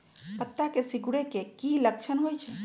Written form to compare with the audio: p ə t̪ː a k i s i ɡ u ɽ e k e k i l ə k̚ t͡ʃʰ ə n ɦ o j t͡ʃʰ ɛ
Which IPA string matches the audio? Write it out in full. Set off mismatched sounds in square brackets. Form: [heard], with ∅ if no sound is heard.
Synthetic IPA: p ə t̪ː a k [e] s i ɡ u ɽ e k e k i l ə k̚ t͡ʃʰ ə n ɦ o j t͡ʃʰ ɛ

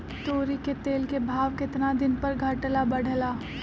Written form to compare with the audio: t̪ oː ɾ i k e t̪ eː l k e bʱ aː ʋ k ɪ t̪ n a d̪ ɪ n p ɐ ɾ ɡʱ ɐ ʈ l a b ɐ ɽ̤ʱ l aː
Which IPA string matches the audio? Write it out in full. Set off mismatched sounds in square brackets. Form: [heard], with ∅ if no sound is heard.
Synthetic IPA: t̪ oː ɾ i k e t̪ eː l k e bʱ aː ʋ k ɪ t̪ n a d̪ ɪ n p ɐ ɾ ɡʱ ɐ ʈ l a b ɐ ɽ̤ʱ l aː

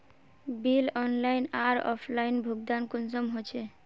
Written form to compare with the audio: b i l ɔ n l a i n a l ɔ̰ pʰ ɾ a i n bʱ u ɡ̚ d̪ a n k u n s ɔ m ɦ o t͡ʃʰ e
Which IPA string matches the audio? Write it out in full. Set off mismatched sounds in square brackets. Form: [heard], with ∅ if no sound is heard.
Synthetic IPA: b i l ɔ n l a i n a [ɾ] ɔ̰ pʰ [l] a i n bʱ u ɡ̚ d̪ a n k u n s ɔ m ɦ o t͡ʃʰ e

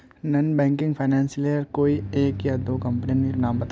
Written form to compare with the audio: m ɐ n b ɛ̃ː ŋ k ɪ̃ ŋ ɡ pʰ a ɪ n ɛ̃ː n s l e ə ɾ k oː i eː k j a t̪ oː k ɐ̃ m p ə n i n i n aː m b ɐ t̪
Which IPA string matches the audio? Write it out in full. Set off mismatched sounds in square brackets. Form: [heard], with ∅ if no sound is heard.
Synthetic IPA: [n] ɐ n b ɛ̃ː ŋ k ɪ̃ ŋ ɡ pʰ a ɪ n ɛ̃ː n s l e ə ɾ k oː i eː k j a [d̪] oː k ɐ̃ m p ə n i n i n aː m b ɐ t̪

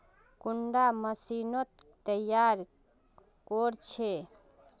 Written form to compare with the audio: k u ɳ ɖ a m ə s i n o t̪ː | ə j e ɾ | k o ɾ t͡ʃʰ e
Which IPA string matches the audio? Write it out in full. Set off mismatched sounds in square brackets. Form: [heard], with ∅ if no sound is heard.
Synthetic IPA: k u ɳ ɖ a m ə s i n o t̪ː | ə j [a] ɾ | k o ɾ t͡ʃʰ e

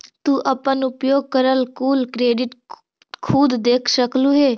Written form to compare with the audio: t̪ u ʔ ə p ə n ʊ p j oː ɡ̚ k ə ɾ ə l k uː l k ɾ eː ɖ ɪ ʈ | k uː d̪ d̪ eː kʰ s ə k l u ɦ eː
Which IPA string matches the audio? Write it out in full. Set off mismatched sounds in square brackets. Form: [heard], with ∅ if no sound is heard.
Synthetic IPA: t̪ u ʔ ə p ə n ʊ p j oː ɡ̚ k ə ɾ ə l k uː l k ɾ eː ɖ ɪ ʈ | [kʰ] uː d̪ d̪ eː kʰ s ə k l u ɦ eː

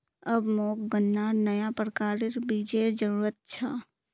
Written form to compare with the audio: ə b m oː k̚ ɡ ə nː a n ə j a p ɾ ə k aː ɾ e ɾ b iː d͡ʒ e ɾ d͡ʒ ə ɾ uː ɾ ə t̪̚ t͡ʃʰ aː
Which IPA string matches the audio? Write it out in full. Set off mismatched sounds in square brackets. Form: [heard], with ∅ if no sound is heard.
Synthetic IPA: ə b m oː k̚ ɡ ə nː a n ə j a p ɾ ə k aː ɾ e ɾ b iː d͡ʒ e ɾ d͡ʒ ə ɾ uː ɾ ə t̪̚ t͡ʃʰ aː

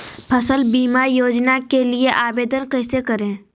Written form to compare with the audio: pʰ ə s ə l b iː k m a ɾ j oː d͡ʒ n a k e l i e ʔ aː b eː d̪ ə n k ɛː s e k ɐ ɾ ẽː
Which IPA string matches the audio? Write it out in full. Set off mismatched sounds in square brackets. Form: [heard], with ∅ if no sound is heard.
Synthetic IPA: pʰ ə s ə l b iː [∅] m a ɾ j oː d͡ʒ n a k e l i e ʔ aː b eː d̪ ə n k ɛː s e k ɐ ɾ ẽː

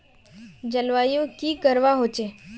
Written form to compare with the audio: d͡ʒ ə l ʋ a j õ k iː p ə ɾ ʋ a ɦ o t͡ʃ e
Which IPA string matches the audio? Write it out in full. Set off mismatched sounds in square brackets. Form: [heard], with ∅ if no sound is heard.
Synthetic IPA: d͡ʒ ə l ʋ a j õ k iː [k] ə ɾ ʋ a ɦ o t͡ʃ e

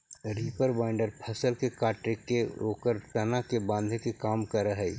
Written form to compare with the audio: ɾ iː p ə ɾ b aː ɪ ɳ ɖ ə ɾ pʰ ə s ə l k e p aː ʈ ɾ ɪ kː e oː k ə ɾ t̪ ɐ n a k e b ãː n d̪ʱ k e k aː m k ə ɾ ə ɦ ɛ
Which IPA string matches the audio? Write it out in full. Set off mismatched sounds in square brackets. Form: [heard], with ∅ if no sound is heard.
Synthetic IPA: ɾ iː p ə ɾ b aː ɪ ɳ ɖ ə ɾ pʰ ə s ə l k e [k] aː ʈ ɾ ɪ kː e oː k ə ɾ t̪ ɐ n a k e b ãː n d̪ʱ k e k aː m k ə ɾ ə ɦ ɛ

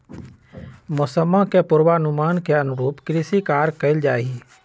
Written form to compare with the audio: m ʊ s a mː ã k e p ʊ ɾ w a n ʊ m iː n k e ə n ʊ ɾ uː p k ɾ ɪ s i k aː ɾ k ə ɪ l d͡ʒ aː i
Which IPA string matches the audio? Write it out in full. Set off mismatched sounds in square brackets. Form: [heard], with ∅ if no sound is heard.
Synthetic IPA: m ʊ s [ə] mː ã k e p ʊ ɾ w a n ʊ m [aː] n k e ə n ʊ ɾ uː p k ɾ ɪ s i k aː ɾ k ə ɪ l d͡ʒ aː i

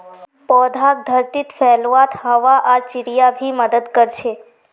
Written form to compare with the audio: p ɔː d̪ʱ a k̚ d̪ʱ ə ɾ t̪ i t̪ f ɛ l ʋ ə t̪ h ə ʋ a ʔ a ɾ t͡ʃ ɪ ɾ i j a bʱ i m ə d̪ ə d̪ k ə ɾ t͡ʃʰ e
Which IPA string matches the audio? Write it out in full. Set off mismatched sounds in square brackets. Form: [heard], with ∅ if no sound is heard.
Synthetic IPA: p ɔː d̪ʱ a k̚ d̪ʱ ə ɾ t̪ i t̪ f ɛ l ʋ [a] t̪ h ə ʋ a ʔ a ɾ t͡ʃ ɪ ɾ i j a bʱ i m ə d̪ ə d̪ k ə ɾ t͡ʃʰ e

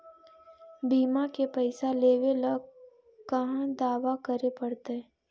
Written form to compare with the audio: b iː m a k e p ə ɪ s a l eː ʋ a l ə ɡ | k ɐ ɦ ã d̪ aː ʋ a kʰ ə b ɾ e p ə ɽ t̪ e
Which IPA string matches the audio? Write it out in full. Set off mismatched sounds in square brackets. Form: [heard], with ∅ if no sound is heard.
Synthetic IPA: b iː m a k e p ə ɪ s a l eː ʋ [e] l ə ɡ | k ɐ ɦ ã d̪ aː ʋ a [k] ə [∅] ɾ e p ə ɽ t̪ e

